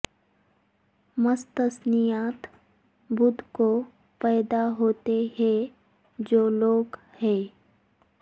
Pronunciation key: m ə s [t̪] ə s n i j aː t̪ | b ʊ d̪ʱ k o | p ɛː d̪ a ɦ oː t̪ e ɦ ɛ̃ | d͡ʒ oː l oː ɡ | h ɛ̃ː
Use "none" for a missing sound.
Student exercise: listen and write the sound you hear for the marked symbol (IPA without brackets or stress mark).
t̪